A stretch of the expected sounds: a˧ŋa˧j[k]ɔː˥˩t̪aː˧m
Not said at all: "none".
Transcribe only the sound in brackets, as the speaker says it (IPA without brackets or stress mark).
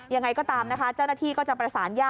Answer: k